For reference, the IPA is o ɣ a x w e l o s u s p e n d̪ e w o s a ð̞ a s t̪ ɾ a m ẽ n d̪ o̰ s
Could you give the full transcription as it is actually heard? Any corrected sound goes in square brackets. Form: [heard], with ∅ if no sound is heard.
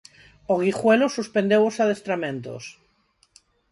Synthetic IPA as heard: o ɣ [i] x w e l o s u s p e n d̪ e w o s a ð̞ [e] s t̪ ɾ a m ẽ n [t̪] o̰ s